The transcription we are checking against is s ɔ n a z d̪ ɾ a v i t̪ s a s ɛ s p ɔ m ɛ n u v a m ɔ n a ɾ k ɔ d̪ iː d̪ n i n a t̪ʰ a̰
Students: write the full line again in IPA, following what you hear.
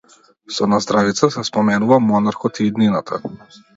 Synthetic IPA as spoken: s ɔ n a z d̪ ɾ a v i t̪ s a s ɛ s p ɔ m ɛ n u v a m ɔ n a ɾ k ɔ t̪ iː d̪ n i n a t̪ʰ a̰